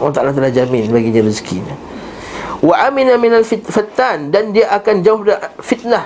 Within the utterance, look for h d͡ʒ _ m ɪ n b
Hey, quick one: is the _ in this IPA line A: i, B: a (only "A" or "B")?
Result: B